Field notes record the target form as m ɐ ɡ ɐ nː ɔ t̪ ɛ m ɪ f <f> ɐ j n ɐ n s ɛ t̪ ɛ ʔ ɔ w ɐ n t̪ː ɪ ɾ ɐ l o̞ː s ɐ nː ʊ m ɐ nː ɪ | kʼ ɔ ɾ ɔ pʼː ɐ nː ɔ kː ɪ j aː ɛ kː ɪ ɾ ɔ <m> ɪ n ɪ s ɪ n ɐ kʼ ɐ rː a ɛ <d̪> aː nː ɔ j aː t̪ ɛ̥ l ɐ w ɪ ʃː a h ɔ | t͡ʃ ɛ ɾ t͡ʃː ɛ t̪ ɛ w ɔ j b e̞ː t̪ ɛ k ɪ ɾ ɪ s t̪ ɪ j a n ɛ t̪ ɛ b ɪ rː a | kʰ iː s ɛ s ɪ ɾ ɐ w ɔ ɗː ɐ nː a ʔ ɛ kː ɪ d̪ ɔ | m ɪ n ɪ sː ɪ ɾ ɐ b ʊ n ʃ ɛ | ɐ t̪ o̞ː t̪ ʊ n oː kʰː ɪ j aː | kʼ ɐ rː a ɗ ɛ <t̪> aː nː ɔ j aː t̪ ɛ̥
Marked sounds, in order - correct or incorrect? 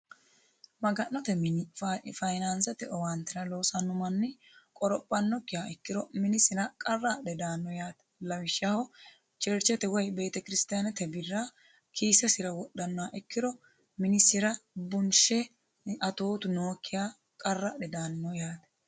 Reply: correct, correct, correct, incorrect

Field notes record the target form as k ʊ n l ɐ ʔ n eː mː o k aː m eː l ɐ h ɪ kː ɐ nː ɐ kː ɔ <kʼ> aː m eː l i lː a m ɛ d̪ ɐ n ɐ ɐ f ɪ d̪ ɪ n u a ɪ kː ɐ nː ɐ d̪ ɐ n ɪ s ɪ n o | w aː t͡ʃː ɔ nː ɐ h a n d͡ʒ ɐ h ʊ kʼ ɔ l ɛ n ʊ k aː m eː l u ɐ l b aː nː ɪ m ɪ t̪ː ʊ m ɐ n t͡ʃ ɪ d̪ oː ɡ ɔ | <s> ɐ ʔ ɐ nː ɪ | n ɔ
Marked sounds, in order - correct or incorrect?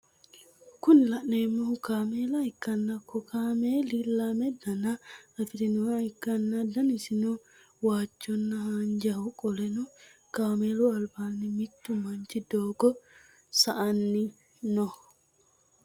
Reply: incorrect, correct

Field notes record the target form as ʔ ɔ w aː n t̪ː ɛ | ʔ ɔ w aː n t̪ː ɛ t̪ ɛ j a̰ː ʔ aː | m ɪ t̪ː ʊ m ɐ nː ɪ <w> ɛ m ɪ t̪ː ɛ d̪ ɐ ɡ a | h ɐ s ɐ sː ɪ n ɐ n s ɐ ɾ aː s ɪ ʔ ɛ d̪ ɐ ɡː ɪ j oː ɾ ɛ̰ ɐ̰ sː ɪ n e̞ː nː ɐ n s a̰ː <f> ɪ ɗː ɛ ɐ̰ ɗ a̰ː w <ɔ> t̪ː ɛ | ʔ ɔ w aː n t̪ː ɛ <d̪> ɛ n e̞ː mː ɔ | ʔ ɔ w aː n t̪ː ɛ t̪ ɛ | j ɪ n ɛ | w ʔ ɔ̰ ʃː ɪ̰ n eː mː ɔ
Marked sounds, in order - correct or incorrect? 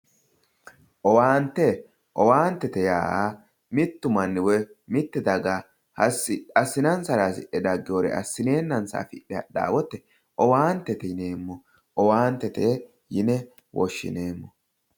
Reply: correct, correct, correct, incorrect

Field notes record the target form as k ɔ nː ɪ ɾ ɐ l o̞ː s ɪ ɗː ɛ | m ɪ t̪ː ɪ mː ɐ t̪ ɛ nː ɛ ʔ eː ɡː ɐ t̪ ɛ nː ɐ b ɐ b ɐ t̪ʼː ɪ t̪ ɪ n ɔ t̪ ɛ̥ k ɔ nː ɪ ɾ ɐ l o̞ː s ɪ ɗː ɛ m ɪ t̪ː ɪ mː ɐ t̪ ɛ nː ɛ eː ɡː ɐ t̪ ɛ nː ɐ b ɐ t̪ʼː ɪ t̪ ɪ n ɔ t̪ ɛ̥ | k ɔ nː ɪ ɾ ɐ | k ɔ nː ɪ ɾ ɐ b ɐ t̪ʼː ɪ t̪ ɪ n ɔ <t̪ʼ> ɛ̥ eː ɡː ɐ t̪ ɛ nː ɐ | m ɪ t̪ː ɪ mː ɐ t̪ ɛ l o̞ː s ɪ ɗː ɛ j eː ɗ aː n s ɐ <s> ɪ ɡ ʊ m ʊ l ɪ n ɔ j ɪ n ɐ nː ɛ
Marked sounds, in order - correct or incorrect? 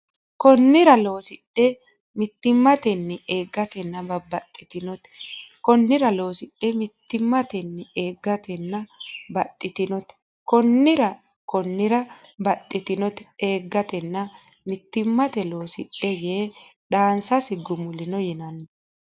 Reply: incorrect, correct

